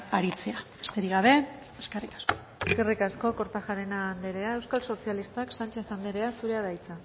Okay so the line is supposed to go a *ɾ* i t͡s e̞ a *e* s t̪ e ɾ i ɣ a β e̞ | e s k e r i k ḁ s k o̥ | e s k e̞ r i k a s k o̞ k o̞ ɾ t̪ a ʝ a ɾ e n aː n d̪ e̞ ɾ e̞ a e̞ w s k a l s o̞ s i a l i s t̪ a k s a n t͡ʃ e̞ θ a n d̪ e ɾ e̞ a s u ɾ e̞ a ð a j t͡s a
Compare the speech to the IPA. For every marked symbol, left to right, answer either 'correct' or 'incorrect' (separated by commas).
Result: correct, correct